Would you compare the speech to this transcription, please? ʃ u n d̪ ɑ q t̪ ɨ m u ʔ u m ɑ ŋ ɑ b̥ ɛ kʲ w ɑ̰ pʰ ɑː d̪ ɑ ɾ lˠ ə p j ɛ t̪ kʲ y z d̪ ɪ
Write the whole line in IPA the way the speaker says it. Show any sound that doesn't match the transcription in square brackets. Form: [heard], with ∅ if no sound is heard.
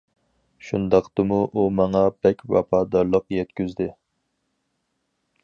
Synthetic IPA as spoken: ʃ u n d̪ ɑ q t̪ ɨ m u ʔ u m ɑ ŋ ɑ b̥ ɛ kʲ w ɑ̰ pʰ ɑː d̪ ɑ ɾ lˠ ə [q] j ɛ t̪ kʲ y z d̪ ɪ